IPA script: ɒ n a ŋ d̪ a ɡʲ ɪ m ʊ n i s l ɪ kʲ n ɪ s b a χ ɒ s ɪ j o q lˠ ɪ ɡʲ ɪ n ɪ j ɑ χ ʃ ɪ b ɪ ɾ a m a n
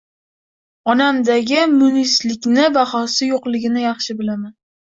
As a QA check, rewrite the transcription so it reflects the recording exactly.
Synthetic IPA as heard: ɒ n a m d̪ a ɡʲ ɪ m ʊ n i s l ɪ kʲ n ɪ b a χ ɒ s ɪ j o q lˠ ɪ ɡʲ ɪ n ɪ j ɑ χ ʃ ɪ b ɪ l a m a n